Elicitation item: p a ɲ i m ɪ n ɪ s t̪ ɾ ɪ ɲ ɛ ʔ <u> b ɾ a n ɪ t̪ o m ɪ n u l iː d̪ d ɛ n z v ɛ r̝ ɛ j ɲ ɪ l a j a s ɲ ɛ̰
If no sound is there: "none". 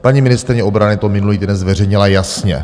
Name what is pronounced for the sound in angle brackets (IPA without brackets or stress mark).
o